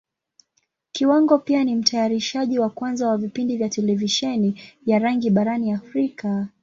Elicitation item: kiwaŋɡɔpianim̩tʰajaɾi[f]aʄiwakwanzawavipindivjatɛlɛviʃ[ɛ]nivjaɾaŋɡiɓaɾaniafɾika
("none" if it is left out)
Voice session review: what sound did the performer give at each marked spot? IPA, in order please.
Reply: ʃ, ɛ

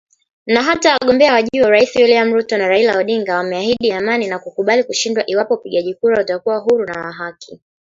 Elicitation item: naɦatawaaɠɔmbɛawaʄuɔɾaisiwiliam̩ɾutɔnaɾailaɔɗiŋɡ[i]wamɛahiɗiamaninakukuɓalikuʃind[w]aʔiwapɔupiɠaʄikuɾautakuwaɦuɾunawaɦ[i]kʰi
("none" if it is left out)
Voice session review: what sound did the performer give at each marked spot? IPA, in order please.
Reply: a, w, a

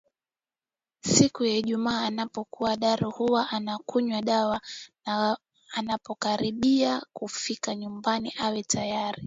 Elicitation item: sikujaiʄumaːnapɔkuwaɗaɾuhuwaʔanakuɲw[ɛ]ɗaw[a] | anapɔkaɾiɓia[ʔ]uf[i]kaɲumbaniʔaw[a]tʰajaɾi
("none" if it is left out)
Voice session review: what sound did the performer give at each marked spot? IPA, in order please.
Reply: a, a, k, i, ɛ

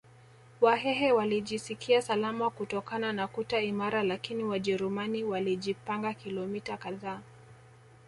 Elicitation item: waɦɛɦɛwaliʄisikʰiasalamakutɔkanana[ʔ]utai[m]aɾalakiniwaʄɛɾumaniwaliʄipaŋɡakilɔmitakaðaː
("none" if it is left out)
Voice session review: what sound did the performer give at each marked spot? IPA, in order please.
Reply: k, m

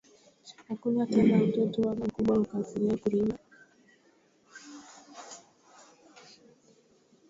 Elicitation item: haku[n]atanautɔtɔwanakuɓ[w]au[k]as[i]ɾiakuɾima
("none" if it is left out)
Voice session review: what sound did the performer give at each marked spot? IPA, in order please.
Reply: n, w, k, i

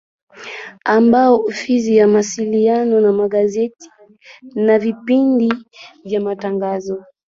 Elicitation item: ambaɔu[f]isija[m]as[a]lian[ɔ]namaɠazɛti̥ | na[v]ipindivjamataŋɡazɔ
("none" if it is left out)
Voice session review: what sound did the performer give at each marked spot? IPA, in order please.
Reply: f, m, i, ɔ, v

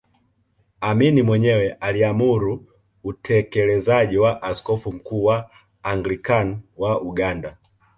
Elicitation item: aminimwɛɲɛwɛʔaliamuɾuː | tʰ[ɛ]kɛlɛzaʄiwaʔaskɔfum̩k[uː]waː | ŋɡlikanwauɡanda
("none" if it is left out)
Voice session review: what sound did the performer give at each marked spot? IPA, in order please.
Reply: ɛ, uː

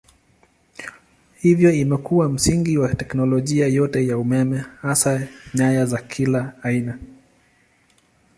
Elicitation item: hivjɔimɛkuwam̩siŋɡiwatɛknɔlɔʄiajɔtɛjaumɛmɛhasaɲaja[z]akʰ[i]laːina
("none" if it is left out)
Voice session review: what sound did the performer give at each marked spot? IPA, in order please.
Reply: z, i

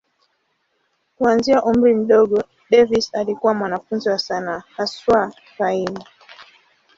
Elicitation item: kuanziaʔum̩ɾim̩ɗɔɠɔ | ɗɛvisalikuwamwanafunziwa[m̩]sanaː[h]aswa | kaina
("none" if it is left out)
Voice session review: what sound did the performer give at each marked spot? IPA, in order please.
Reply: none, h

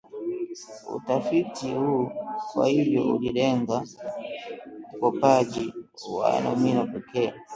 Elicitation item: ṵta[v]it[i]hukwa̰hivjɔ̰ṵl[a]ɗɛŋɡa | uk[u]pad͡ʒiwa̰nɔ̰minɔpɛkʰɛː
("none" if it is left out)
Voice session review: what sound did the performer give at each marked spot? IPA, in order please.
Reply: f, i, i, ɔ

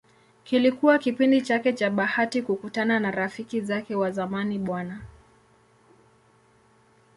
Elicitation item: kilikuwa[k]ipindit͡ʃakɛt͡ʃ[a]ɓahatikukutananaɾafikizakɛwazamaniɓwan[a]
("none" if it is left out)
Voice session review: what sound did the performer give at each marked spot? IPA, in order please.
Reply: k, a, a

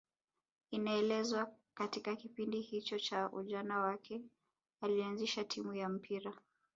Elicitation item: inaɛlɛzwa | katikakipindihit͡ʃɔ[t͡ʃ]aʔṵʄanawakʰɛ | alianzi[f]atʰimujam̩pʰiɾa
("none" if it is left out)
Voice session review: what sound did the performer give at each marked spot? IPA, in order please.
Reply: t͡ʃ, ʃ

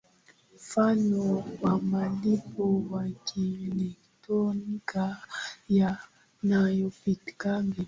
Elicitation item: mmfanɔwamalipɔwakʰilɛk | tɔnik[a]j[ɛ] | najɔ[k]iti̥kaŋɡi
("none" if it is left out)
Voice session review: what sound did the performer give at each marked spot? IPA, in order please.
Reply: a, a, p

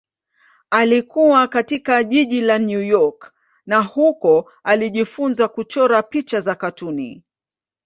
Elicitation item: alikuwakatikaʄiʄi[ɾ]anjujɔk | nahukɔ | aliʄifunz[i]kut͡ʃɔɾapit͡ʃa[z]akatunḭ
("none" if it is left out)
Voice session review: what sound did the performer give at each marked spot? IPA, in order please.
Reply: l, a, z

